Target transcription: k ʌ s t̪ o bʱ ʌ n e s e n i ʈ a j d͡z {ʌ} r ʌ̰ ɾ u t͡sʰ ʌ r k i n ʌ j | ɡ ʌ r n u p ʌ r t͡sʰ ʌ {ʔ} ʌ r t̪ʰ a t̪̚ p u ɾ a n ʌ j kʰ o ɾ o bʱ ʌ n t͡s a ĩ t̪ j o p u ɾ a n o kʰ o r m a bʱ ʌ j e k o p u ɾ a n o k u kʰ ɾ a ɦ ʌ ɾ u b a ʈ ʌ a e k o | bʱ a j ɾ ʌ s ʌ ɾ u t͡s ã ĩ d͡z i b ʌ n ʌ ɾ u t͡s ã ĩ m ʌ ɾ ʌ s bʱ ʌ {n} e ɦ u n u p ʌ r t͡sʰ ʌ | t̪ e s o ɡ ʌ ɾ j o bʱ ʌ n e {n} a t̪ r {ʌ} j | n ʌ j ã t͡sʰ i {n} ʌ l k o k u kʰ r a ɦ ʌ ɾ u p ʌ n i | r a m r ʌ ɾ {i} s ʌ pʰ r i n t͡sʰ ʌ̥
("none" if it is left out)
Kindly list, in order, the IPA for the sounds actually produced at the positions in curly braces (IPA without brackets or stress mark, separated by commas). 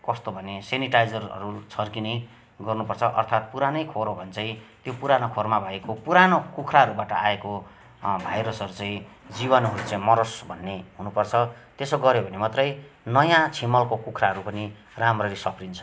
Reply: ʌ, ʔ, nː, m, ʌ, m, i